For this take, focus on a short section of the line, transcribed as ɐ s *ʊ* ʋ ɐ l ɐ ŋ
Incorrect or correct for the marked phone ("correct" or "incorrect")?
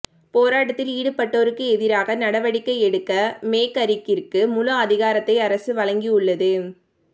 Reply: incorrect